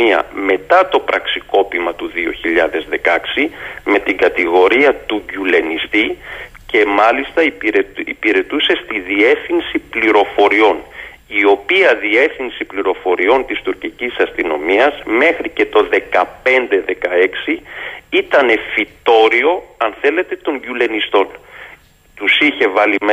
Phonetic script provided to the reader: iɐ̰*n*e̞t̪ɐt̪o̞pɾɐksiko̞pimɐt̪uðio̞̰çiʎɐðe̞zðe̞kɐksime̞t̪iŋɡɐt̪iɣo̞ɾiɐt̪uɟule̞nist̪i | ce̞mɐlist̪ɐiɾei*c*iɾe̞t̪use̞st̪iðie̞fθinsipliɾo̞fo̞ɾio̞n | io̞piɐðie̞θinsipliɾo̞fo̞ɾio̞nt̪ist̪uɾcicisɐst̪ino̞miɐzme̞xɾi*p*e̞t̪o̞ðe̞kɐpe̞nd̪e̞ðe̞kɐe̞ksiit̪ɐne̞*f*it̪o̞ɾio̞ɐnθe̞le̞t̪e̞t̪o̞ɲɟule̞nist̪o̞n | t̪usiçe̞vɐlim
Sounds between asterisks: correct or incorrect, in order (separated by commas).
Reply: incorrect, incorrect, incorrect, correct